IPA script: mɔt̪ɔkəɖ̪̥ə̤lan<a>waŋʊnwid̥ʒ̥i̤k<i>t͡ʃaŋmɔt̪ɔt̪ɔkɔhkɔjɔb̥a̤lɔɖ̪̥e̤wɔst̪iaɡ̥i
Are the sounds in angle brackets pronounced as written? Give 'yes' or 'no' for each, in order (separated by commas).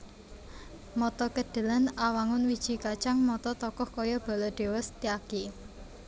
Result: yes, no